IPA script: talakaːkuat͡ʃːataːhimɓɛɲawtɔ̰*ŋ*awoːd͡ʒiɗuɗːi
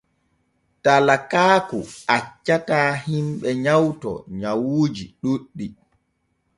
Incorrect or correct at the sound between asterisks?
incorrect: ɲ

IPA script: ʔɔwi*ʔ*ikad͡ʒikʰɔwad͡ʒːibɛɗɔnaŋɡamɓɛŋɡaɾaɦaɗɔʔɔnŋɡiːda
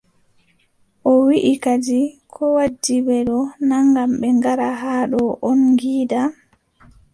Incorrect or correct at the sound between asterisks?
correct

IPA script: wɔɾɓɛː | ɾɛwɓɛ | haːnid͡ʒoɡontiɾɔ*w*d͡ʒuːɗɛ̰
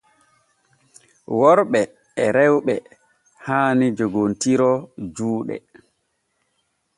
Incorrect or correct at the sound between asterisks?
incorrect: none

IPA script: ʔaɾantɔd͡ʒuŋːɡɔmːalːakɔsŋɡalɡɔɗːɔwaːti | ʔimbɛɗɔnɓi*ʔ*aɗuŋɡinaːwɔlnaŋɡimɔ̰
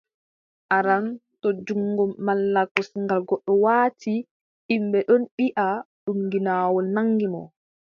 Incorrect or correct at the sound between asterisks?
correct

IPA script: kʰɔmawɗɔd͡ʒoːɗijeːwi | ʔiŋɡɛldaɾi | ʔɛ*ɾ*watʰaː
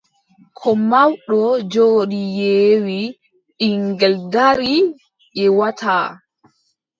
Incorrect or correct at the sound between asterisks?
incorrect: none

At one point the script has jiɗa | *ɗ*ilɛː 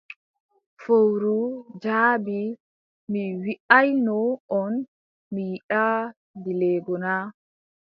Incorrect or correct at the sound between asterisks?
incorrect: d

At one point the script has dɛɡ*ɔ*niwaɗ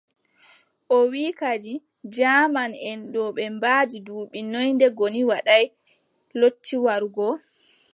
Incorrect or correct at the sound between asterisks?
incorrect: o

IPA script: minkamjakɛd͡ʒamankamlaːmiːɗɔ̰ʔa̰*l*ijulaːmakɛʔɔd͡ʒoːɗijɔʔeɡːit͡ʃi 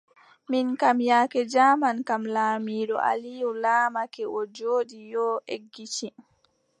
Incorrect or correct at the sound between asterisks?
correct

